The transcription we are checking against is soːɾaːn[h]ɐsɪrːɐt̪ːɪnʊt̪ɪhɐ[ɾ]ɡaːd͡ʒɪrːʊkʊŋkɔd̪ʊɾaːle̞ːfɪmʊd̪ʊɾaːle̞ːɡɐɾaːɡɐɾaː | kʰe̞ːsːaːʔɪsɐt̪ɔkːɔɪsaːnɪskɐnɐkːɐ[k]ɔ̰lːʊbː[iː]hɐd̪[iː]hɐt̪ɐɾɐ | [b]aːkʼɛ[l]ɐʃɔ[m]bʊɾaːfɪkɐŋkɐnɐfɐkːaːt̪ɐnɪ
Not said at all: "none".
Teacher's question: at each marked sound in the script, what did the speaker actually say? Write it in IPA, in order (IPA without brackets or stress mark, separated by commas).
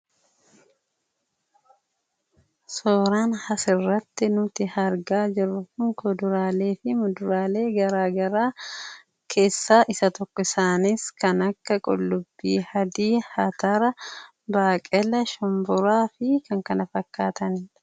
h, ɾ, kʼ, iː, iː, b, l, m